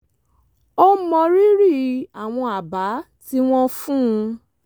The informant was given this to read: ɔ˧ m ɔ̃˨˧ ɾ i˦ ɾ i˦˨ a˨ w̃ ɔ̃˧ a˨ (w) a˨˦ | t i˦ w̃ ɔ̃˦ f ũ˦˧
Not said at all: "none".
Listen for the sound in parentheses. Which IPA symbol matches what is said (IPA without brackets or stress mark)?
b